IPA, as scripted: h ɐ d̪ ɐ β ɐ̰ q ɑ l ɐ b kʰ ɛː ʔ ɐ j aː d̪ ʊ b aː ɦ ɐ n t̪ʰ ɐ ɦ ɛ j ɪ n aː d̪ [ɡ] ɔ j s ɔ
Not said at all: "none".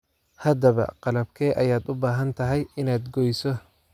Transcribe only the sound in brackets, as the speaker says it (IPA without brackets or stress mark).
ɡ